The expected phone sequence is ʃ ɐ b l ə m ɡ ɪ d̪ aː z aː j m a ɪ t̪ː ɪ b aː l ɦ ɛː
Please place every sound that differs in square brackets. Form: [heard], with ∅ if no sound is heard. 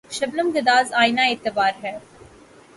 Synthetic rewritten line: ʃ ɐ b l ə m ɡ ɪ d̪ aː z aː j [n] a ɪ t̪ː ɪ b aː [ɾ] ɦ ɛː